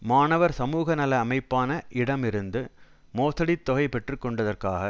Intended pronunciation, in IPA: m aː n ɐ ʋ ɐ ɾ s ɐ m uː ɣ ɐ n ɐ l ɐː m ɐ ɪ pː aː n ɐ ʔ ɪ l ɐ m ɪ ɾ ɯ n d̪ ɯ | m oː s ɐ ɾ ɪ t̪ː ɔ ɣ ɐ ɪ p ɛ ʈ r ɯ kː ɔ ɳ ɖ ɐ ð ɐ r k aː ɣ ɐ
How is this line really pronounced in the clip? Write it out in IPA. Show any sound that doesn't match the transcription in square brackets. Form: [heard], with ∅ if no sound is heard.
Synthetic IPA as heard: m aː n ɐ ʋ ɐ ɾ s ɐ m uː ɣ ɐ n ɐ l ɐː m ɐ ɪ pː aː n ɐ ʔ ɪ [ɽ] ɐ m ɪ ɾ ɯ n d̪ ɯ | m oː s ɐ [ɽ] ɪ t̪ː ɔ ɣ ɐ ɪ p ɛ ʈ r ɯ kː ɔ ɳ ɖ ɐ ð ɐ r k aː ɣ ɐ